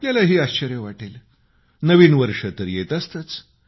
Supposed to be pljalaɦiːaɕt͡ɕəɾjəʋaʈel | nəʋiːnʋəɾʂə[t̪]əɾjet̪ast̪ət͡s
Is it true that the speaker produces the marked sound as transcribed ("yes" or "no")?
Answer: yes